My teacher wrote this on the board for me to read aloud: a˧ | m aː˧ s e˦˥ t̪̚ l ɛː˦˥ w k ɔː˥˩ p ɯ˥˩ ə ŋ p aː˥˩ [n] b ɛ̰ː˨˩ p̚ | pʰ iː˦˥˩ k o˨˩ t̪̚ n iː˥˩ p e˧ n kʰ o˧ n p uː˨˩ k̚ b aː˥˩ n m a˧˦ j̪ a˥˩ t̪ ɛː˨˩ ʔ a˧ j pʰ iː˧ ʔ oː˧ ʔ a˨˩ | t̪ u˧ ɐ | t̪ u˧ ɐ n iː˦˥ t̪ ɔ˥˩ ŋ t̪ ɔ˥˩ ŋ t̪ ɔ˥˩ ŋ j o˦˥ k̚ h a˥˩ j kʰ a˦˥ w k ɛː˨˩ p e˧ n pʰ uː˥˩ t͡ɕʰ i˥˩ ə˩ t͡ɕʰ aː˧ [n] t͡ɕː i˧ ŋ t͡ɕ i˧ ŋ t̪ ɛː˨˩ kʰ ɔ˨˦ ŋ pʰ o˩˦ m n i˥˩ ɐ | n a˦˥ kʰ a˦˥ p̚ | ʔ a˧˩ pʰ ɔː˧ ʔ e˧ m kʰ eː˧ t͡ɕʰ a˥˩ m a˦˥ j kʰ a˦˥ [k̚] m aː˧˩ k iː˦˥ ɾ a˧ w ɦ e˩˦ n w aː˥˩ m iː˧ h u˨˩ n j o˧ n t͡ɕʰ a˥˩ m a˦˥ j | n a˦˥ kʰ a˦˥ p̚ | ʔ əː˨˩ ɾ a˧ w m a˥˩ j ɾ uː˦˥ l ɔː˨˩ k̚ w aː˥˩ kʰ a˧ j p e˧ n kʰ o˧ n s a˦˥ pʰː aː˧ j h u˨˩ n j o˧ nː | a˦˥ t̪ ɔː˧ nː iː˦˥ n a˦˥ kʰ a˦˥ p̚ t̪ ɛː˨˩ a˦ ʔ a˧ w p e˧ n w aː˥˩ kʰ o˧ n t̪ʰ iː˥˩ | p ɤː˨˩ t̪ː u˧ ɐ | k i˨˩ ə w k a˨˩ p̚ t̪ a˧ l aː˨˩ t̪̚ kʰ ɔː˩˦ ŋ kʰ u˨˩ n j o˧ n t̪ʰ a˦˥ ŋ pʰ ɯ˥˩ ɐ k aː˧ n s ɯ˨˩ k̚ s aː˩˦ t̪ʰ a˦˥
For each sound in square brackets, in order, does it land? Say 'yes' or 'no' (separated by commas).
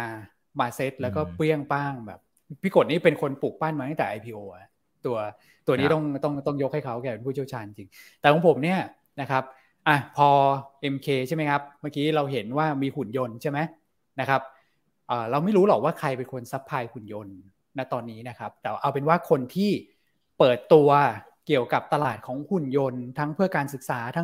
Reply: no, yes, no